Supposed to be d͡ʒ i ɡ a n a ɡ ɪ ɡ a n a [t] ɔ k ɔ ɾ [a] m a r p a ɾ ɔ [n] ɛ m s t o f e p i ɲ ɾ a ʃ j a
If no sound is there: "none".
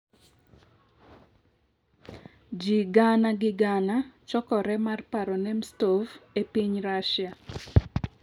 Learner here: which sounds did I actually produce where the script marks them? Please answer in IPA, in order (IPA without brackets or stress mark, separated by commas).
t͡ʃ, ɛ, n